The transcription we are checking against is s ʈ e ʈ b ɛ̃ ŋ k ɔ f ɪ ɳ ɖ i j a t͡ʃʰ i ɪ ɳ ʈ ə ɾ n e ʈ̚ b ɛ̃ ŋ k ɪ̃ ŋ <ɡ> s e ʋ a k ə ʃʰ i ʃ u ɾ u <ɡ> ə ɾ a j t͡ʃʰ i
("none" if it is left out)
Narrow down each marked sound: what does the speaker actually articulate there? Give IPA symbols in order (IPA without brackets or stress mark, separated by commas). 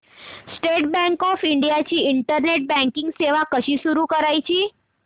ɡ, k